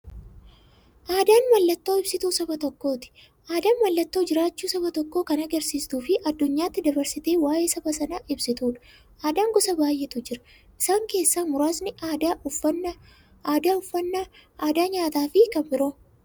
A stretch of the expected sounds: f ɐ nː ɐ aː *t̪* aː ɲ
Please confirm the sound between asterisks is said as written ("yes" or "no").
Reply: no